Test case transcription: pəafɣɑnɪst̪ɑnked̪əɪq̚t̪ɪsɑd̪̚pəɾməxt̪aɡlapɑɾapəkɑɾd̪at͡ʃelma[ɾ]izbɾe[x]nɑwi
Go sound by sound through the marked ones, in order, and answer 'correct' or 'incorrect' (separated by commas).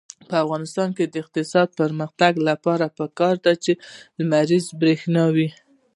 correct, correct